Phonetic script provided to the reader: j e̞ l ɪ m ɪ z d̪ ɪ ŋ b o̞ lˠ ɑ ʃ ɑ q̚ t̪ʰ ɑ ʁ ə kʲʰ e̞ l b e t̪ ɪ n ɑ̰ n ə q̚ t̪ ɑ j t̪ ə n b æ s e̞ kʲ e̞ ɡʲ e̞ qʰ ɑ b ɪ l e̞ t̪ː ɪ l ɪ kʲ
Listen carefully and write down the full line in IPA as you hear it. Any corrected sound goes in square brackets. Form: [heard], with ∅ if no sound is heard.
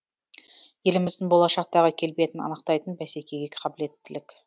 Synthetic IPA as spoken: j e̞ l ɪ m ɪ z d̪ ɪ ŋ b o̞ lˠ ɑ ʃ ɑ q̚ [t̪] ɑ ʁ ə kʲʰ e̞ l b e t̪ ɪ n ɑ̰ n ə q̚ t̪ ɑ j t̪ ə n b æ s e̞ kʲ e̞ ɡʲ e̞ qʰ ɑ b ɪ l e̞ t̪ː ɪ l ɪ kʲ